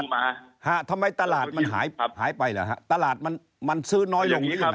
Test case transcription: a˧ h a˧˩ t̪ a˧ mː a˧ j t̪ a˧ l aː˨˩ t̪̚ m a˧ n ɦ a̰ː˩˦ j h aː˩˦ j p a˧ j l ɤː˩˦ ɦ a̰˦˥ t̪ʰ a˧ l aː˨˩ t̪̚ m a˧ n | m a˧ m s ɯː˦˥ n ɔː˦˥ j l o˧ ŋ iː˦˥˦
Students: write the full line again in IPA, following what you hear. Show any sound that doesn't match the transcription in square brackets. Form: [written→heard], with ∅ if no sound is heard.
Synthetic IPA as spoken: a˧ h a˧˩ [t̪→t̪ʰ] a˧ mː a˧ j t̪ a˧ l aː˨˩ t̪̚ m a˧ n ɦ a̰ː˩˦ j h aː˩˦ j p a˧ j l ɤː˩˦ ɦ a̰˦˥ [t̪ʰ→t̪] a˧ l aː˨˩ t̪̚ m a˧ n | m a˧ [m→n] s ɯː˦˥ n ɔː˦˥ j l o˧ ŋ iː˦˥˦